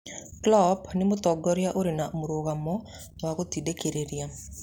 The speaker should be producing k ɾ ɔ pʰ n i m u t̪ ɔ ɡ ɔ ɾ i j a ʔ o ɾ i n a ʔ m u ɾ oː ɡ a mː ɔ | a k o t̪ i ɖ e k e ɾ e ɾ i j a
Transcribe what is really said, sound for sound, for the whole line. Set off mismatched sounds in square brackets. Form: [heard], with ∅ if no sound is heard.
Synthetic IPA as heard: k [l] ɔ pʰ n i m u t̪ ɔ ɡ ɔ ɾ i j a ʔ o ɾ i n a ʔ m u ɾ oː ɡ a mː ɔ | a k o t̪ i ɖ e k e ɾ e ɾ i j a